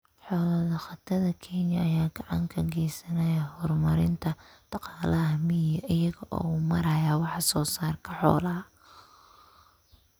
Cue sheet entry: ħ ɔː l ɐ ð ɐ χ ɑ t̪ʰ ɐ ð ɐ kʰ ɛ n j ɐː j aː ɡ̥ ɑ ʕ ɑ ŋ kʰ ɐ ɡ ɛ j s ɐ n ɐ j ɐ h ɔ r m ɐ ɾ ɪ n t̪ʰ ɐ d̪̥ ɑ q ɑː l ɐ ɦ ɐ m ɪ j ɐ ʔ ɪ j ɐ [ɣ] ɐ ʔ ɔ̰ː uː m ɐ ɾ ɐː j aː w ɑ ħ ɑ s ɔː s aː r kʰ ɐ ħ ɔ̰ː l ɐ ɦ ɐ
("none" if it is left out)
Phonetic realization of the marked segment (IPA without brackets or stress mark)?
ɣ